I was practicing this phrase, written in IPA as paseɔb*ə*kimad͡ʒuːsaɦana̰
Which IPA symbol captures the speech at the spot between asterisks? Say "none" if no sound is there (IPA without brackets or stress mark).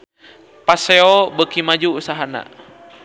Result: ə